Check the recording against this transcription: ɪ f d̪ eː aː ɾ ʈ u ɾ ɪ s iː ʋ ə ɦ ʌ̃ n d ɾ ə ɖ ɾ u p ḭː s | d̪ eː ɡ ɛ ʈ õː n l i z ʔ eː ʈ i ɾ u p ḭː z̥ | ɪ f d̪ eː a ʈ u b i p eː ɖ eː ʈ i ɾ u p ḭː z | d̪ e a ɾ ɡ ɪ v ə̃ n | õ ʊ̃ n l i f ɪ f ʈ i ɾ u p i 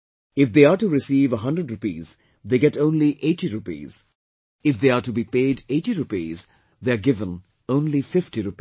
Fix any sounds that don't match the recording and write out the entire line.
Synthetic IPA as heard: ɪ f d̪ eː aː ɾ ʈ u ɾ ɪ s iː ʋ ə ɦ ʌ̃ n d ɾ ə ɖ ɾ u p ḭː z | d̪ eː ɡ ɛ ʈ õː n l i ʔ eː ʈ i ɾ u p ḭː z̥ | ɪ f d̪ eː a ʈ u b i p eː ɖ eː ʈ i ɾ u p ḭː z | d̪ e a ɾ ɡ ɪ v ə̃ n | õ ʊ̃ n l i f ɪ f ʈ i ɾ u p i